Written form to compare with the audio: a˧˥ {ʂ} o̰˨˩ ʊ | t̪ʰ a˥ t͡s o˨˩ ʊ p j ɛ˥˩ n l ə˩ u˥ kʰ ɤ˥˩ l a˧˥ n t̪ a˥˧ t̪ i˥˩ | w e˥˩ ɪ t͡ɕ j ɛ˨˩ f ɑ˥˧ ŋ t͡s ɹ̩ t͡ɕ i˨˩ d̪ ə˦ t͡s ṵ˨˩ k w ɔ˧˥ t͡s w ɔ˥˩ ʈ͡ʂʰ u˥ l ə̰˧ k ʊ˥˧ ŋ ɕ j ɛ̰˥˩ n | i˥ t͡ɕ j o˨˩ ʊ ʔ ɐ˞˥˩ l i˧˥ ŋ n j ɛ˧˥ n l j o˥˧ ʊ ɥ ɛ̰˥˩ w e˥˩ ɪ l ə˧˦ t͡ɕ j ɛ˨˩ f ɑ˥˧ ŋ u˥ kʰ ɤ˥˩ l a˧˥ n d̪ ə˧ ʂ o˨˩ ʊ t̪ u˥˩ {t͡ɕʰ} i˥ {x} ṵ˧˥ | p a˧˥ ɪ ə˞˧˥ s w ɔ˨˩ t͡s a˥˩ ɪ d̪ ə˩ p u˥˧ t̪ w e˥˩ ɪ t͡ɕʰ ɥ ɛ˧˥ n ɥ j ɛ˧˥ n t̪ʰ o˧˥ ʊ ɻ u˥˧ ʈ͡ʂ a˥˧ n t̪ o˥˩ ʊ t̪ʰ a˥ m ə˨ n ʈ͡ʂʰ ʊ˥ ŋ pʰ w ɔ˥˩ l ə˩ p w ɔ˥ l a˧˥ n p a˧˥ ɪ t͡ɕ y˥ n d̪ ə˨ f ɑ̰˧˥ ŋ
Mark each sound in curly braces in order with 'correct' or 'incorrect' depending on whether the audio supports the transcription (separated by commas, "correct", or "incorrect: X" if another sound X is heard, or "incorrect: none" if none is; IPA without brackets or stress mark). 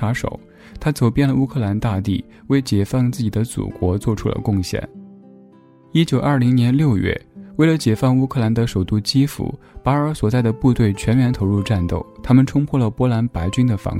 correct, incorrect: t͡ɕ, incorrect: f